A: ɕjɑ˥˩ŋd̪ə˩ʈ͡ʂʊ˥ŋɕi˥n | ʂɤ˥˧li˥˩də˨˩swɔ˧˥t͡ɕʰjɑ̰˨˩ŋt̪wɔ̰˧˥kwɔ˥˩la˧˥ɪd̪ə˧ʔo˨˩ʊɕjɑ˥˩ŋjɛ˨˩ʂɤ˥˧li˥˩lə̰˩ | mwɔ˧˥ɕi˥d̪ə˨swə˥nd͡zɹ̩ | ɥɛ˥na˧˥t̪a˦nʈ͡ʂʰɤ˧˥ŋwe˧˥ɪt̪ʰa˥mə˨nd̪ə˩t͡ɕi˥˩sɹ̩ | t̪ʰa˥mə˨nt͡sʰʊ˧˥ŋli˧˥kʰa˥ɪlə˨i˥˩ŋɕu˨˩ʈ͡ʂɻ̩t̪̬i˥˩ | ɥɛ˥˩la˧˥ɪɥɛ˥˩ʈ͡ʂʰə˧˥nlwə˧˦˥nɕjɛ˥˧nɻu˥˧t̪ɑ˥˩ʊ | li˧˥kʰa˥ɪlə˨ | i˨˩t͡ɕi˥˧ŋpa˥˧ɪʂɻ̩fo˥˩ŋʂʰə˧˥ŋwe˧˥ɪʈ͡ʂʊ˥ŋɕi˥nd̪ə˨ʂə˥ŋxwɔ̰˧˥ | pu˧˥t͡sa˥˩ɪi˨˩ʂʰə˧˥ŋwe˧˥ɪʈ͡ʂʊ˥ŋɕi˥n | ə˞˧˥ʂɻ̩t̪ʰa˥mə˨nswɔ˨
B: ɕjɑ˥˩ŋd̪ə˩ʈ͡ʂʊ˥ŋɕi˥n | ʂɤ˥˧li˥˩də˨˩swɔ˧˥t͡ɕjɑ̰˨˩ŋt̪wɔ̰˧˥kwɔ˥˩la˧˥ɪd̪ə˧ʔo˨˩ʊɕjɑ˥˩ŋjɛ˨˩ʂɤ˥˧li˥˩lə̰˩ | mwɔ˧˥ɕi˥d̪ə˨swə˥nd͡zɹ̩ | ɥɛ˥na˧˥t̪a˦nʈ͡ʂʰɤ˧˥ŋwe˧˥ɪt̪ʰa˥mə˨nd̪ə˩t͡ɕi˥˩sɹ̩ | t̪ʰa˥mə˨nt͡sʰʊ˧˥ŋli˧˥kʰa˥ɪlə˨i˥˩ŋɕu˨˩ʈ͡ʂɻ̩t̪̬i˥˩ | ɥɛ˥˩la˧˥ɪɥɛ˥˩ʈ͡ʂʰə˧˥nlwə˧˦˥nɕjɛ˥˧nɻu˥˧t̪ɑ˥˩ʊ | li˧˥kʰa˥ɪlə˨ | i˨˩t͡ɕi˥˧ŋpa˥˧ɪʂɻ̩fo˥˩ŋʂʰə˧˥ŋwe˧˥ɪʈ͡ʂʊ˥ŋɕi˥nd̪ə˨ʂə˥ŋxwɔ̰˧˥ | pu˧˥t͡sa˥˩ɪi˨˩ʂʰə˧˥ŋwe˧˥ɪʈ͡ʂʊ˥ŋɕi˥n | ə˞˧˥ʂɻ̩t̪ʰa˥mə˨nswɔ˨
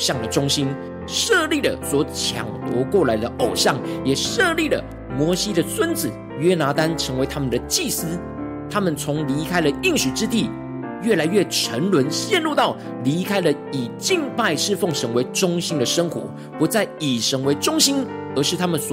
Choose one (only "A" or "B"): A